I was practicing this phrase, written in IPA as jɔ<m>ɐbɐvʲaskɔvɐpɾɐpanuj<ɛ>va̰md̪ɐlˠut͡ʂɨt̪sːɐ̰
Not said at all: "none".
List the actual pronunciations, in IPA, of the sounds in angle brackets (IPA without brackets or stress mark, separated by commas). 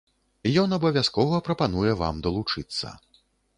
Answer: n, ɛ